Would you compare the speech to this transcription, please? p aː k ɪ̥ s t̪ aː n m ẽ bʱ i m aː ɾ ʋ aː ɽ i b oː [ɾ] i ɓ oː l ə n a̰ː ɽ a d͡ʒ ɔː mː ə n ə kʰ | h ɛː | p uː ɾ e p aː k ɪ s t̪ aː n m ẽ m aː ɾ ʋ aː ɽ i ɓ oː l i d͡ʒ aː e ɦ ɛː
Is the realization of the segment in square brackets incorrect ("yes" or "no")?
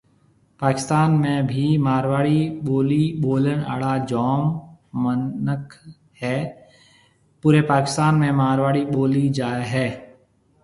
yes